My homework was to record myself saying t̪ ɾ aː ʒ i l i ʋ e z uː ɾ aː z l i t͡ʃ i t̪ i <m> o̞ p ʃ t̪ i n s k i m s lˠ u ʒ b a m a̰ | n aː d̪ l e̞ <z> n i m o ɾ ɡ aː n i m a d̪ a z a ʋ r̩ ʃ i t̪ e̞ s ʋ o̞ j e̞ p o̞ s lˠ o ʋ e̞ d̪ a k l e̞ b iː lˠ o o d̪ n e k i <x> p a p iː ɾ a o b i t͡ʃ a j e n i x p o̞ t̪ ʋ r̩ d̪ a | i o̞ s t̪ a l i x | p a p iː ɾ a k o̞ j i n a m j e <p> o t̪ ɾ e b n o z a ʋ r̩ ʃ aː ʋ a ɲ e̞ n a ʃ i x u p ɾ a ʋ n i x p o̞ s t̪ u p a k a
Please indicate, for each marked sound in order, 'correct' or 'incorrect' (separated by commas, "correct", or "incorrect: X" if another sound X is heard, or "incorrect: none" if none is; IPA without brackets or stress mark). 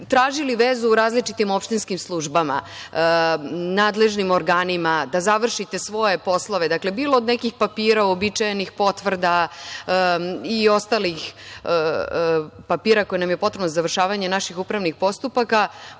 correct, incorrect: ʒ, correct, correct